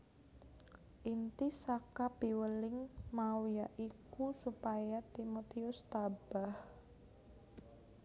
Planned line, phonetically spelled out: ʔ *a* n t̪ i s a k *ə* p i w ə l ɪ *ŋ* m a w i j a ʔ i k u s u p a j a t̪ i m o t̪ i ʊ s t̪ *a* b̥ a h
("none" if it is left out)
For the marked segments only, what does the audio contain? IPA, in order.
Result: i, a, ŋ, a

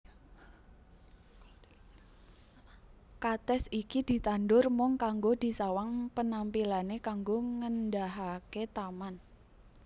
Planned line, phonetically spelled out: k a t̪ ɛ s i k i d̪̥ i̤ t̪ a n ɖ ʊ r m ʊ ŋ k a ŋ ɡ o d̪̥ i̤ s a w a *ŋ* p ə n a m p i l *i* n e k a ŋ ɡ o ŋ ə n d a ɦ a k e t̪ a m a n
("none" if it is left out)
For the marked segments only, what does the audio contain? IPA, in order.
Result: ŋ, a

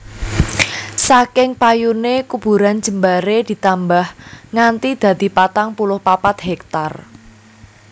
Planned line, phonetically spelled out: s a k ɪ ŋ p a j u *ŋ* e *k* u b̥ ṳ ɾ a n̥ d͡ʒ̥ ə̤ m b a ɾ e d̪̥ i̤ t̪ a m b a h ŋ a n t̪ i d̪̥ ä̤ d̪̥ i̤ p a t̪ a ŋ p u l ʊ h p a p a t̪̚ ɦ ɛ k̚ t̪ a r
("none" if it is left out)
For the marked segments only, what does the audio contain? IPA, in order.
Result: n, k

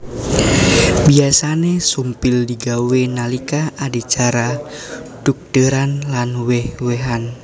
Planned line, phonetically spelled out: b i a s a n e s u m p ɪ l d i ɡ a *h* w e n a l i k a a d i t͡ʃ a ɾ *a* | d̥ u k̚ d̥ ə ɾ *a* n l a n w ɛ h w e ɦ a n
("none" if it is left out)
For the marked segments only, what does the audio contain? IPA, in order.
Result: none, a, a

